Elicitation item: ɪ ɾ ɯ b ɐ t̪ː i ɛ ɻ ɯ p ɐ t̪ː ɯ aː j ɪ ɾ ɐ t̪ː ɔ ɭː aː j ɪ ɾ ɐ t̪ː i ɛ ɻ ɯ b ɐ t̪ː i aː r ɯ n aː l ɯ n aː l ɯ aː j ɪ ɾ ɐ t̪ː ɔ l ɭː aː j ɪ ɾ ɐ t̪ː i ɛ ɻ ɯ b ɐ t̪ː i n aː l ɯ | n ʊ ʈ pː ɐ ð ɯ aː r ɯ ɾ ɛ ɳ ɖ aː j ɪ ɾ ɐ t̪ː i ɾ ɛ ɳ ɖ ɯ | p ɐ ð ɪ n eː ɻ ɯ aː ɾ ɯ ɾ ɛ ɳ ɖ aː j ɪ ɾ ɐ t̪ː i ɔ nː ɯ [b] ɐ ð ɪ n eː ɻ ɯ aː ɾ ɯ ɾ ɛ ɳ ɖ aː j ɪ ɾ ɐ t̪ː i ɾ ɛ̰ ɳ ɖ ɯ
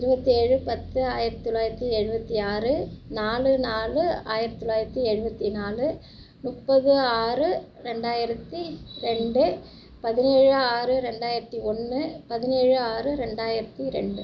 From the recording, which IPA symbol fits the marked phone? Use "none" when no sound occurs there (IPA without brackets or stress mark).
p